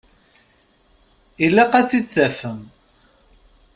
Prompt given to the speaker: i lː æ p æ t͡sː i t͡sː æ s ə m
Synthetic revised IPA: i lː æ q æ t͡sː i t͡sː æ f ə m